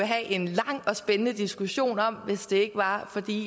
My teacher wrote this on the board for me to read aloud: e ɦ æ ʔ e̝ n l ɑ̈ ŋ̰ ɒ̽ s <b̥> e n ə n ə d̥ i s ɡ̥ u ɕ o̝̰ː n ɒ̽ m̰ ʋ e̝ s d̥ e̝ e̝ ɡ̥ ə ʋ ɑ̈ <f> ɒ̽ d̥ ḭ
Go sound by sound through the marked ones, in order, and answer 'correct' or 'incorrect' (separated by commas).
correct, correct